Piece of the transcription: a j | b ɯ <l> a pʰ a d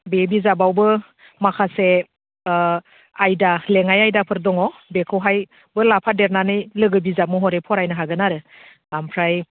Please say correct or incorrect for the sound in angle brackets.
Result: correct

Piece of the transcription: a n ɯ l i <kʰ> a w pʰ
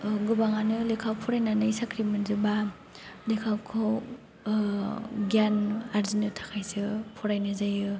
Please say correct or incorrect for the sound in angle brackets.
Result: correct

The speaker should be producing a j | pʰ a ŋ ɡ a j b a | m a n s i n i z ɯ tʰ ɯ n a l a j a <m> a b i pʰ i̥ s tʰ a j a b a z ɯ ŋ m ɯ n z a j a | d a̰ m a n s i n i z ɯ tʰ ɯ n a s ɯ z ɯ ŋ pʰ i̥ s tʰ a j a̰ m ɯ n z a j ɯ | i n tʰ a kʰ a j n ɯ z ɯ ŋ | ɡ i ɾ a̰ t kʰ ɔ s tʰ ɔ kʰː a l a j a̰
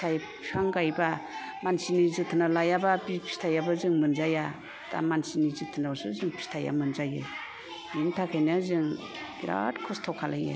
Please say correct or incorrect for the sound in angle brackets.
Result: incorrect: b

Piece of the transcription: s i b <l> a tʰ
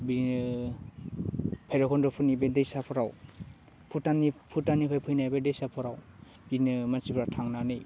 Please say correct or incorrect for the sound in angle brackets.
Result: incorrect: ɾ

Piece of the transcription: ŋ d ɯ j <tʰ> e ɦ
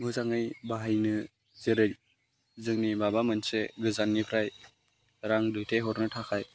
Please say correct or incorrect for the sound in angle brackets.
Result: correct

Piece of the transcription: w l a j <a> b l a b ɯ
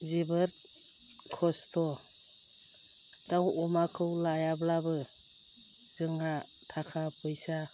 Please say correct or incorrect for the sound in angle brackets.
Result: correct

